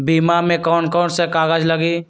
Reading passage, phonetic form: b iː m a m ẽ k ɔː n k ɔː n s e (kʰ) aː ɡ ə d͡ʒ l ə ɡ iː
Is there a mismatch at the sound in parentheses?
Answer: yes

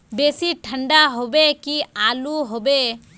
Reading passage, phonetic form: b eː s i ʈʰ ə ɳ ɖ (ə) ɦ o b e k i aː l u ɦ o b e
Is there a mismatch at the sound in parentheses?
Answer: yes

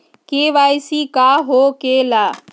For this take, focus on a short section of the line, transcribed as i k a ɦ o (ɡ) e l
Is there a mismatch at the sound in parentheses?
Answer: yes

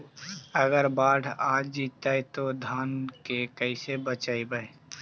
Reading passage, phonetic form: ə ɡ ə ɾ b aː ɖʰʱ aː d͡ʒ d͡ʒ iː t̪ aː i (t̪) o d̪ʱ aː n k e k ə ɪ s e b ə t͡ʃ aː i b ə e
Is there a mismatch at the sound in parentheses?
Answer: no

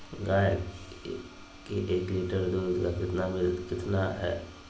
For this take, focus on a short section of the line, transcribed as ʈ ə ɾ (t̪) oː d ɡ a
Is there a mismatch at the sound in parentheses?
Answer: yes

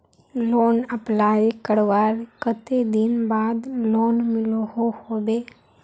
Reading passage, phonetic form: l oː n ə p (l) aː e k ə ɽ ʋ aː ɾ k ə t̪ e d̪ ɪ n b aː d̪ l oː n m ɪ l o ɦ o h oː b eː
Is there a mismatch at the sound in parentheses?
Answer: no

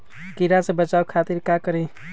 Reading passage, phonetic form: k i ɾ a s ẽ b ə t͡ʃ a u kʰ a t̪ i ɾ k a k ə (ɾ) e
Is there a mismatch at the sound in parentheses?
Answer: no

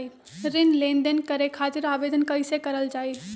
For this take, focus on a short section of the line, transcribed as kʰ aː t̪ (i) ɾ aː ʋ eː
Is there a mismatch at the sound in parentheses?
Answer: yes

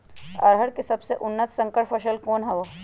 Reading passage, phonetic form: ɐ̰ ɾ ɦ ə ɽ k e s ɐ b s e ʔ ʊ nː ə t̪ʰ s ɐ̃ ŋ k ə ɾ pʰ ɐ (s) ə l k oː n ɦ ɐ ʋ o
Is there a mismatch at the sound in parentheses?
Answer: yes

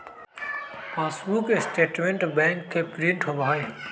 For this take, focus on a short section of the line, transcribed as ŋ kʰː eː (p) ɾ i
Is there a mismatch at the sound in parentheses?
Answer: no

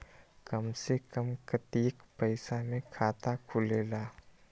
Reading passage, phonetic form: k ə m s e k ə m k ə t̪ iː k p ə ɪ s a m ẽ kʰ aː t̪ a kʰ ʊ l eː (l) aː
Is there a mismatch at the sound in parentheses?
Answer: no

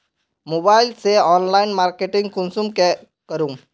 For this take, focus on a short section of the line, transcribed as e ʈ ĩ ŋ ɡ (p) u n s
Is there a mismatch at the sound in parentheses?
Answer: yes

